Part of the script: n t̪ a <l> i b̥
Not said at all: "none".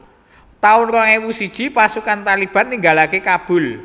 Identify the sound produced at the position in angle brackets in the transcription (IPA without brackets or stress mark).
l